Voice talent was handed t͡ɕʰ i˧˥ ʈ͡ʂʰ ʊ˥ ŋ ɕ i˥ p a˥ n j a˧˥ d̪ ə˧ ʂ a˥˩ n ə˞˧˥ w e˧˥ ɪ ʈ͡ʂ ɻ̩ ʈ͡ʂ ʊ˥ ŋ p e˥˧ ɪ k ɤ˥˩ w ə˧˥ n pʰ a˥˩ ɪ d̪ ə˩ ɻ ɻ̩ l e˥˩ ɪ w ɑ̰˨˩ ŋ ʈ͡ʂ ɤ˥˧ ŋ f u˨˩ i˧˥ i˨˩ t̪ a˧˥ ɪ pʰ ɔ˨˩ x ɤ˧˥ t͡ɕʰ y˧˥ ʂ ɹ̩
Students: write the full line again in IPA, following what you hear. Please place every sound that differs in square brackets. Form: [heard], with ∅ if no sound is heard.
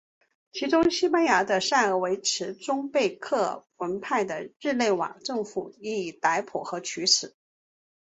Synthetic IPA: t͡ɕʰ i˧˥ [ʈ͡ʂ] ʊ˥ ŋ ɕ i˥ p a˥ n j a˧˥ d̪ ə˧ ʂ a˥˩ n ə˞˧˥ w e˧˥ ɪ [ʈ͡ʂʰ] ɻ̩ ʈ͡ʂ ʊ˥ ŋ p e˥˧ ɪ [kʰ] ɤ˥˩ w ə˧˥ n pʰ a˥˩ ɪ d̪ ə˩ ɻ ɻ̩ l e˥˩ ɪ w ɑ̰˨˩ ŋ ʈ͡ʂ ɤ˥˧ ŋ f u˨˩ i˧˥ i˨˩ t̪ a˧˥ ɪ pʰ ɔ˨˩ x ɤ˧˥ t͡ɕʰ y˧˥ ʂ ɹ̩